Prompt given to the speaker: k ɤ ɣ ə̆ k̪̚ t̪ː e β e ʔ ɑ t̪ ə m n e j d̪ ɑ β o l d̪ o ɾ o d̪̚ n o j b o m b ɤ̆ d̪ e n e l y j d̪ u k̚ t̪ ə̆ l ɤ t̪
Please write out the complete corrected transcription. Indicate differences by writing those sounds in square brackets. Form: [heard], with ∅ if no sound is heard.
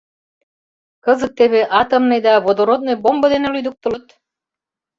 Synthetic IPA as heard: k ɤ [z] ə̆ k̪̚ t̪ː e β e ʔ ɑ t̪ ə m n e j d̪ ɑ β o [∅] d̪ o ɾ o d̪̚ n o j b o m b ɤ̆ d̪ e n e l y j d̪ u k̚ t̪ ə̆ l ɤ t̪